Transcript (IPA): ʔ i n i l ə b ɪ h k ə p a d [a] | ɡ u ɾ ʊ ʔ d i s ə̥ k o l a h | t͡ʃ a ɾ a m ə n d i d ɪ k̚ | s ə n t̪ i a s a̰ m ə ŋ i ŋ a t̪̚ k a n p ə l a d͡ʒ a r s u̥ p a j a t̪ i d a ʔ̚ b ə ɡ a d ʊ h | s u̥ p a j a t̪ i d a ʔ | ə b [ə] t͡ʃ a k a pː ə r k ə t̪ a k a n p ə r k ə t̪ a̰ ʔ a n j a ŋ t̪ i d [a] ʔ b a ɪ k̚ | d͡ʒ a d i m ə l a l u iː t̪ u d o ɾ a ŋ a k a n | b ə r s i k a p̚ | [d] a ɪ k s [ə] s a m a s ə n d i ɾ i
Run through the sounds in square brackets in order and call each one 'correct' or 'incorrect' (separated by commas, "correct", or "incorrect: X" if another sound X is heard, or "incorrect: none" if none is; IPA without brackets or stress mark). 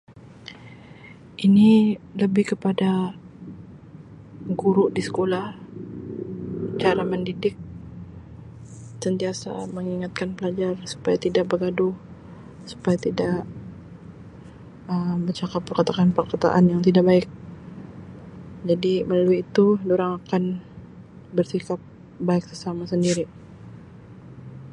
correct, correct, correct, incorrect: b, correct